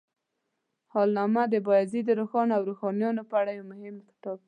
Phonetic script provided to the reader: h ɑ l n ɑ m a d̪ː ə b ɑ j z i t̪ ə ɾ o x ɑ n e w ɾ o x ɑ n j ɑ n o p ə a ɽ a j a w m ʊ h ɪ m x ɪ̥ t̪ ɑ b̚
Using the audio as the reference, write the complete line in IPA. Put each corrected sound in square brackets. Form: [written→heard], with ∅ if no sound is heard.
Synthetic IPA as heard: h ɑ l n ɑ m a [d̪ː→d̪] ə b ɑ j z i [t̪→d̪] ə ɾ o x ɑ n [e→a] w ɾ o x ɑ n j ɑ n o p ə a ɽ a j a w m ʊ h ɪ m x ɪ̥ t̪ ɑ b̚